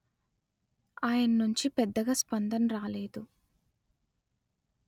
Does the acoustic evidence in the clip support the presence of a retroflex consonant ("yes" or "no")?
no